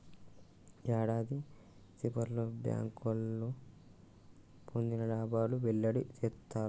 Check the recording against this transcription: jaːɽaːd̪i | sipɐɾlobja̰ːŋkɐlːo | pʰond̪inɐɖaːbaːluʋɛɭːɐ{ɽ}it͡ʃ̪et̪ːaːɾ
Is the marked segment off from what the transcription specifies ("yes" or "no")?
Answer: no